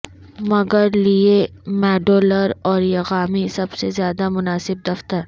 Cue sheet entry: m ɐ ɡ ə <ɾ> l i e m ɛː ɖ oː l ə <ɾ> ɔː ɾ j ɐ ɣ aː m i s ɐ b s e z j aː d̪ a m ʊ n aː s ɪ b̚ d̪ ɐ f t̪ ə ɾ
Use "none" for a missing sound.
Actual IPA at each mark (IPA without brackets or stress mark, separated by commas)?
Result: ɾ, ɾ